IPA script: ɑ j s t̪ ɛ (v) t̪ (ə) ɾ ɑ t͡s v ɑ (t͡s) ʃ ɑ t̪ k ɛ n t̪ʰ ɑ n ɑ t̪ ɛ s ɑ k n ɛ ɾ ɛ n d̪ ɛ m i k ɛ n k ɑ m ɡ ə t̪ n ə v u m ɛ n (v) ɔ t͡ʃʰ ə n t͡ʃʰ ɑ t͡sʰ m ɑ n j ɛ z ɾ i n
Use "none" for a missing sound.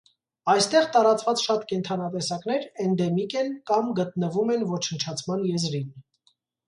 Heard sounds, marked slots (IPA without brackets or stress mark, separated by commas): ʁ, ɑ, t͡s, v